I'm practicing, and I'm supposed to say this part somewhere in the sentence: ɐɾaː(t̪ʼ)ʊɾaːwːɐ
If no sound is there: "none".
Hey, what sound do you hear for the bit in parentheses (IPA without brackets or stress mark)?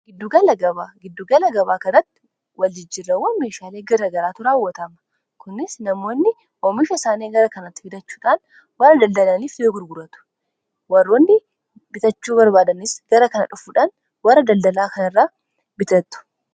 t̪